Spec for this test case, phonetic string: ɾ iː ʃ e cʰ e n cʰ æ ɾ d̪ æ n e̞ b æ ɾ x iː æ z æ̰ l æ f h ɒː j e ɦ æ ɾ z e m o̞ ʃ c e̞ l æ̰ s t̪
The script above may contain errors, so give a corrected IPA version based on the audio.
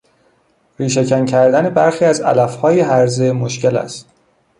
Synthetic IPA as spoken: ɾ iː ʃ e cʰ æ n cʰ æ ɾ d̪ æ n e̞ b æ ɾ x iː æ z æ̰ l æ f h ɒː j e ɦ æ ɾ z e m o̞ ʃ c e̞ l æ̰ s t̪